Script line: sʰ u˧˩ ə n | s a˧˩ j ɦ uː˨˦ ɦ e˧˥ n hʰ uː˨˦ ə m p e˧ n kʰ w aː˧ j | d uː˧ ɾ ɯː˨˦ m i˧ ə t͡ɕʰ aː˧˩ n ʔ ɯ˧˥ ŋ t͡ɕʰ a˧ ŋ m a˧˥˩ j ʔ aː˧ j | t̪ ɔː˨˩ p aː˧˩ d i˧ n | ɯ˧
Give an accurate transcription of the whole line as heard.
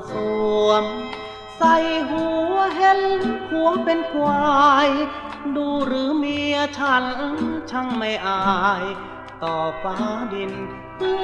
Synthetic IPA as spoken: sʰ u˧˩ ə m | s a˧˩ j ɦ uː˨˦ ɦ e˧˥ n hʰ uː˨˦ ə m p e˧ n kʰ w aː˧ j | d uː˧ ɾ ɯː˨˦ m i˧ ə t͡ɕʰ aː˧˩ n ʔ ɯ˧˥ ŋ t͡ɕʰ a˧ ŋ m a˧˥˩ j ʔ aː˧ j | t̪ ɔː˨˩ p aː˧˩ d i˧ n | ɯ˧